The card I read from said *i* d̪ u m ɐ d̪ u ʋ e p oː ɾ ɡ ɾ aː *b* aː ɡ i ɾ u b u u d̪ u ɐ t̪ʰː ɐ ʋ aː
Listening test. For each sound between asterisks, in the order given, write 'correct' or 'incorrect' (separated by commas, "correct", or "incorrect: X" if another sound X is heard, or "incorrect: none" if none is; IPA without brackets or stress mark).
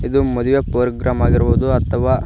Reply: correct, incorrect: m